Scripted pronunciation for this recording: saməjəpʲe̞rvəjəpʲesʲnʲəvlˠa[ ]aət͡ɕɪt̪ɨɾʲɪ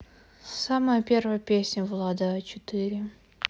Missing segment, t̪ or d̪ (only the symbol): d̪